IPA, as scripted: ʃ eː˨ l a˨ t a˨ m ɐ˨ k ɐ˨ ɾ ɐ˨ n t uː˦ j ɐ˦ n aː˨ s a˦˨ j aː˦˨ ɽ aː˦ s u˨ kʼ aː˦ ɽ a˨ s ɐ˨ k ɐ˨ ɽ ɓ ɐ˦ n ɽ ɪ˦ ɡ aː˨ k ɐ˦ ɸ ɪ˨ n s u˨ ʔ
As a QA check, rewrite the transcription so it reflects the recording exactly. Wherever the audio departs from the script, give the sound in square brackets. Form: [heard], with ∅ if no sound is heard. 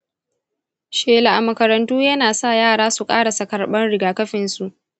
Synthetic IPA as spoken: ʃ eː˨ l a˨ [ʔ] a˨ m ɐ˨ k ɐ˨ ɾ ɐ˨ n t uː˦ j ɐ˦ n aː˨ s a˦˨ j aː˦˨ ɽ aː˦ s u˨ kʼ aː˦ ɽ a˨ s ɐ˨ k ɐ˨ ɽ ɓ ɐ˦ n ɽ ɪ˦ ɡ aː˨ k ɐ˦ ɸ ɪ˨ n s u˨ ʔ

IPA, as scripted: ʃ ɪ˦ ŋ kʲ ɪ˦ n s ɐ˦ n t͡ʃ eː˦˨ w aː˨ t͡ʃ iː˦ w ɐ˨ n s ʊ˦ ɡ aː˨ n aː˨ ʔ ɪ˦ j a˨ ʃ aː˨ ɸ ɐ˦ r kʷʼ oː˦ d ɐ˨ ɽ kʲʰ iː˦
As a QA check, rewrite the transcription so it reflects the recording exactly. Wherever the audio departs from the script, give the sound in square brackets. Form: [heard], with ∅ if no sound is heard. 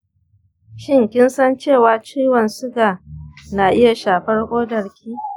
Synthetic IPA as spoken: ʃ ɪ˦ ŋ kʲ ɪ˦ n s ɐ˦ n t͡ʃ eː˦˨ w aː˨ t͡ʃ iː˦ w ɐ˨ n s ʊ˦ ɡ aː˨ n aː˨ ʔ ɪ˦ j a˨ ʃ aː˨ ɸ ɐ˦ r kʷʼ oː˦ d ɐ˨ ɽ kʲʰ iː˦

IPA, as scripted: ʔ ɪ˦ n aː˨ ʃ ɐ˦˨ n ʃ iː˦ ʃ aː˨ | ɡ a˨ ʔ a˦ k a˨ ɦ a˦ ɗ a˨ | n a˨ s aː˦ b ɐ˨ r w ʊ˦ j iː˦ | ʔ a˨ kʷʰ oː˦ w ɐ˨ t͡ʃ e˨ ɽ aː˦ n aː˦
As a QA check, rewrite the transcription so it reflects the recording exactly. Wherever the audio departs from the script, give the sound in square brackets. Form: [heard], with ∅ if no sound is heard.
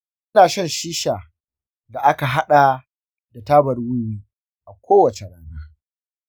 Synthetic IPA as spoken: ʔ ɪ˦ n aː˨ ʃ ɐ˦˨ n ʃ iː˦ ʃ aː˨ | [d] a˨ ʔ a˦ k a˨ ɦ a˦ ɗ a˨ | [d] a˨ [t] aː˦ b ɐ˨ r w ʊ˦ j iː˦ | ʔ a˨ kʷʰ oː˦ w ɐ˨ t͡ʃ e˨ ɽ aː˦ n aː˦

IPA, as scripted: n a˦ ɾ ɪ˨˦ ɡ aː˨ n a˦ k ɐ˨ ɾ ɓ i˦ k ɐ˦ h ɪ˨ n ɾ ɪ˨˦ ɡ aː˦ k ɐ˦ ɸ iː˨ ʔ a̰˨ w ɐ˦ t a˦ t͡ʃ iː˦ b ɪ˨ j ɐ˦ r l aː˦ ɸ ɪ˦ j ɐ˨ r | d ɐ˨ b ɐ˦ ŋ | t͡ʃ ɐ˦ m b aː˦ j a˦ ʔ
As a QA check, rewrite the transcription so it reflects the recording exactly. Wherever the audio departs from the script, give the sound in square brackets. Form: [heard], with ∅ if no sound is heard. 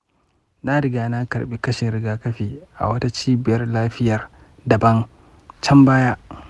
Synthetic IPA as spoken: n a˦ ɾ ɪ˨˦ ɡ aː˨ n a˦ k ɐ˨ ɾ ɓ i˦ k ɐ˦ [ʃ] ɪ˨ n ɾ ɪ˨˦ ɡ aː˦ k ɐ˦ ɸ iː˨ ʔ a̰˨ w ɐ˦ t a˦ t͡ʃ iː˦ b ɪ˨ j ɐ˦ r l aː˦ ɸ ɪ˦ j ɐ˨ r | d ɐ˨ b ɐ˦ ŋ | t͡ʃ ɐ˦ m b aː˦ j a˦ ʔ

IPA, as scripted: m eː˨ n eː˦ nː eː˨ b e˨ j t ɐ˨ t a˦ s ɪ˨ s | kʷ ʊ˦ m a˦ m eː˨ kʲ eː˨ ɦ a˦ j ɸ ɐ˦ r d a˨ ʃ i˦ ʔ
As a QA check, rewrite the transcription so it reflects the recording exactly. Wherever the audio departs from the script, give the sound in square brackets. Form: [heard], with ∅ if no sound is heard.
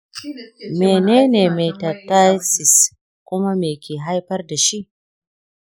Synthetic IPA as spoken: m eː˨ n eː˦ [n] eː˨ [m] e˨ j t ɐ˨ t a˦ s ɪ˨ s | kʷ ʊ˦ m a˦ m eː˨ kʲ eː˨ ɦ a˦ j ɸ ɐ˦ r d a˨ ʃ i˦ ʔ

